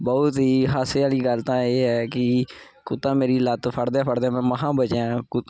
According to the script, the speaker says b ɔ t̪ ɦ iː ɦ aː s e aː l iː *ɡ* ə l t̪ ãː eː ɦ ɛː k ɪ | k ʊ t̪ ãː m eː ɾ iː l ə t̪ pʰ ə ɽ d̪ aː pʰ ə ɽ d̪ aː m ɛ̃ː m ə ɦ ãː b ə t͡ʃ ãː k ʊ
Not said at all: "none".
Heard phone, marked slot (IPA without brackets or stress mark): ɡ